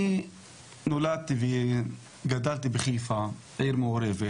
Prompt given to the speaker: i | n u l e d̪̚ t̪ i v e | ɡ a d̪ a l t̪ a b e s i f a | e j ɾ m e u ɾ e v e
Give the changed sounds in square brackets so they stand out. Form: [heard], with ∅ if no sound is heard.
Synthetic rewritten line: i | n [o] l [a] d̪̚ t̪ i v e | ɡ a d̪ a l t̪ [i] b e [χ] i f a | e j ɾ m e [o] ɾ e v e